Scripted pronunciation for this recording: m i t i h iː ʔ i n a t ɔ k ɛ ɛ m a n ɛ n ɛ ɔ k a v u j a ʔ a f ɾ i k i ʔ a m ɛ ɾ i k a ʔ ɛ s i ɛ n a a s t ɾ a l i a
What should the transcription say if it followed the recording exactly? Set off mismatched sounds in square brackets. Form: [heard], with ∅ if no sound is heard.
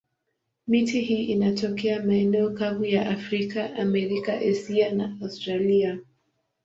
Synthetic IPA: m i t i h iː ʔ i n a t ɔ k ɛ [a] m a [∅] ɛ n ɛ ɔ k a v u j a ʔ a f ɾ i k [a] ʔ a m ɛ ɾ i k a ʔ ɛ s i [a] n a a s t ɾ a l i a